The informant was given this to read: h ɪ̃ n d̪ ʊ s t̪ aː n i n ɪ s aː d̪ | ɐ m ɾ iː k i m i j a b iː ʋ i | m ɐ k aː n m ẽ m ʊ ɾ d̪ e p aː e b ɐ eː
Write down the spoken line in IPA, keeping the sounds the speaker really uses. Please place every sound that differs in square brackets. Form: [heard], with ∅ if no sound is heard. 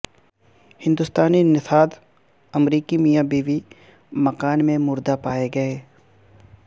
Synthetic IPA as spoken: h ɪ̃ n d̪ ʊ s t̪ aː n i n ɪ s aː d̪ | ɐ m ɾ iː k i m i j a b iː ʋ i | m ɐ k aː n m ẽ m ʊ ɾ d̪ [a] p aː e [ɡ] ɐ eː